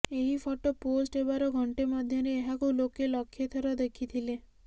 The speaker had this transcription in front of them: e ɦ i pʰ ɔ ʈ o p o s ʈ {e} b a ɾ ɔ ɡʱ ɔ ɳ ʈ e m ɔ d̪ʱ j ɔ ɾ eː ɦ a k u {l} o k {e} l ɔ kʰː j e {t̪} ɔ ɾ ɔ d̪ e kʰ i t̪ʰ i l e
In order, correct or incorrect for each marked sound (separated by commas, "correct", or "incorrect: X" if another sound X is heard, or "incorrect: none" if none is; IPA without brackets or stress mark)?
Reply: correct, correct, correct, incorrect: t̪ʰ